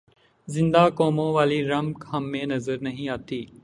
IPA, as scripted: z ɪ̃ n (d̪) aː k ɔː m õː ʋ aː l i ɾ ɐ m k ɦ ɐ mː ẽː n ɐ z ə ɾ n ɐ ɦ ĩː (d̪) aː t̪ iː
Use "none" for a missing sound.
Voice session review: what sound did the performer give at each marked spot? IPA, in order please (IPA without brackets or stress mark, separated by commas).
d̪, none